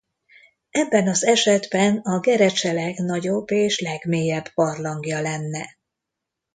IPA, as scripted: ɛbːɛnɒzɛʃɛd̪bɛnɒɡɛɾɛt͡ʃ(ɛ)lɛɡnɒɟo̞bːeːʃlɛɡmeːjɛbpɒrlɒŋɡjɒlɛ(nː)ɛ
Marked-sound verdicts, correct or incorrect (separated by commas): correct, correct